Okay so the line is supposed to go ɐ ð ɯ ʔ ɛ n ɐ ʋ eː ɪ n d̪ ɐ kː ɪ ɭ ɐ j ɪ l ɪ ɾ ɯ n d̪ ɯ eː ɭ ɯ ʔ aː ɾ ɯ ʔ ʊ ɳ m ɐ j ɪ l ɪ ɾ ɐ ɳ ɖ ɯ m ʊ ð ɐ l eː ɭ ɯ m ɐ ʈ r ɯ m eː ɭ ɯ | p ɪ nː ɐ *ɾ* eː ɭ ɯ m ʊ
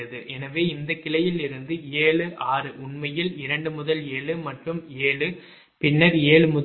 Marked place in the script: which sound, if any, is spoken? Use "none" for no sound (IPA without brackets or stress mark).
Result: ɾ